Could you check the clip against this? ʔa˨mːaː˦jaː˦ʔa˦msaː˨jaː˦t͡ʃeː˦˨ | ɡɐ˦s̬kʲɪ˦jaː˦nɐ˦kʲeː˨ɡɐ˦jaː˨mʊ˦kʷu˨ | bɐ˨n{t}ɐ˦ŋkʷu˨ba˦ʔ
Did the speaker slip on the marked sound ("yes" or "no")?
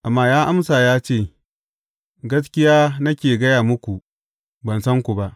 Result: yes